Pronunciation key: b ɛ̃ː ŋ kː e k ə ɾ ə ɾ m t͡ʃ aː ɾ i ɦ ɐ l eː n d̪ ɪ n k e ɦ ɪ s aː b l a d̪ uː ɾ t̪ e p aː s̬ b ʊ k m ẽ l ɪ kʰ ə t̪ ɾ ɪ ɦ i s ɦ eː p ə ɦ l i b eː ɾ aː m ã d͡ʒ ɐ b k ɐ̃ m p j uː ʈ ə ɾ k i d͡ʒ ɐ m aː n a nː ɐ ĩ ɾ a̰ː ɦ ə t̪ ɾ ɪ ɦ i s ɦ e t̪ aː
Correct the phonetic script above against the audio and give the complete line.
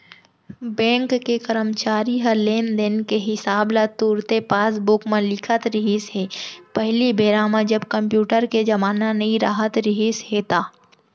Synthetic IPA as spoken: b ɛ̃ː ŋ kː e k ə ɾ ə m t͡ʃ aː ɾ i ɦ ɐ l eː n d̪ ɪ n k e ɦ ɪ s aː b l a t̪ uː ɾ t̪ e p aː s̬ b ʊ k m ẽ l ɪ kʰ ə t̪ ɾ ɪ ɦ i s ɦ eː p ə ɦ l i b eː ɾ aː m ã d͡ʒ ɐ b k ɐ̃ m p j uː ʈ ə ɾ k e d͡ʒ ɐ m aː n a n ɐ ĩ ɾ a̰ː ɦ ə t̪ ɾ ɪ ɦ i s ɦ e t̪ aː